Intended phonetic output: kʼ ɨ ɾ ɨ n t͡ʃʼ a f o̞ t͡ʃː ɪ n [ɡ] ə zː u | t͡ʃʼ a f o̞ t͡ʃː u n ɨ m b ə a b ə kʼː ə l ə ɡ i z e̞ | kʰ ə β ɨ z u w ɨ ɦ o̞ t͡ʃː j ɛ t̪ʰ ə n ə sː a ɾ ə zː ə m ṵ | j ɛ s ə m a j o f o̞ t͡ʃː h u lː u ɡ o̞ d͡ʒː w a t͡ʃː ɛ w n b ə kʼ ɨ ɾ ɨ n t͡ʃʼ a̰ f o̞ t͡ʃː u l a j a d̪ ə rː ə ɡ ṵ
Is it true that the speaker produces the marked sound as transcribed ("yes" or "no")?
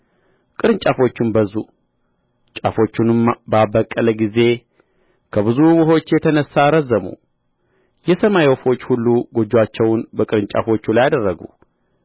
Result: no